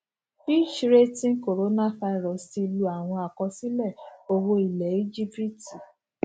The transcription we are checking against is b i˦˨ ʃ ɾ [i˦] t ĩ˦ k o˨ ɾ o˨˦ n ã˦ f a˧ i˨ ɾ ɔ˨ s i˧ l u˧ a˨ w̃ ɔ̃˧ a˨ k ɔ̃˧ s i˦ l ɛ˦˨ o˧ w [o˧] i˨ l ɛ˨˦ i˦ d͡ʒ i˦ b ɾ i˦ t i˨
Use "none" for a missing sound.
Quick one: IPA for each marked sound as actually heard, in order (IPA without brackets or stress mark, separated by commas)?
e˦, o˧